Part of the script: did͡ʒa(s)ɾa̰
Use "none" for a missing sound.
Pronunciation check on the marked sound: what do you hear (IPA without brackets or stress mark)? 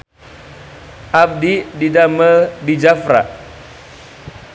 f